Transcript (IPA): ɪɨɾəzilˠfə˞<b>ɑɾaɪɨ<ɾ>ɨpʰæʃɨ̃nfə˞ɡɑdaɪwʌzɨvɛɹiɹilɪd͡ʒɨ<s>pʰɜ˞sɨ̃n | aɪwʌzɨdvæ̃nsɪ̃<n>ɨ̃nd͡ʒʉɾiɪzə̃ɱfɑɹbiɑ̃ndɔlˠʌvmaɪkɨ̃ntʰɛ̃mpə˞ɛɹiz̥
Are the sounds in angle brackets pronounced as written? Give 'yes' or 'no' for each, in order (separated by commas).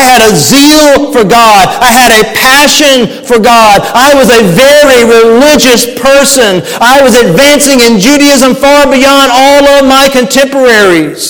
no, yes, yes, no